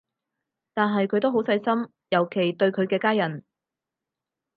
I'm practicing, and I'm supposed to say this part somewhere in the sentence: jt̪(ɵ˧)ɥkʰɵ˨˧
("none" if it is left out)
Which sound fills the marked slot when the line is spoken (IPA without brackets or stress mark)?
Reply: ɵ˧